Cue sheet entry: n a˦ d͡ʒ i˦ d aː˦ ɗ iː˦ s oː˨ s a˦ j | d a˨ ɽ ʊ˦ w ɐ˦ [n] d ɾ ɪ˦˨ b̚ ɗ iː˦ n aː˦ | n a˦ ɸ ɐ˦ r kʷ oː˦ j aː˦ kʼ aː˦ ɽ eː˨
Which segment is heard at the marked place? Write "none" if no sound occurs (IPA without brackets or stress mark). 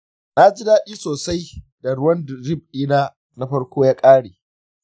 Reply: n